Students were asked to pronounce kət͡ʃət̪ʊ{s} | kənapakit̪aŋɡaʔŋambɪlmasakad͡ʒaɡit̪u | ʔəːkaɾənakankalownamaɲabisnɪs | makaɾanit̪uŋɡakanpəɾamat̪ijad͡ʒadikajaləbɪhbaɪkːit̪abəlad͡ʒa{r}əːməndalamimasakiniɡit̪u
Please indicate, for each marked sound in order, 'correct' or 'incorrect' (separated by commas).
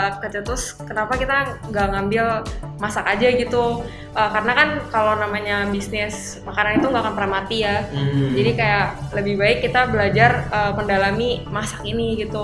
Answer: correct, correct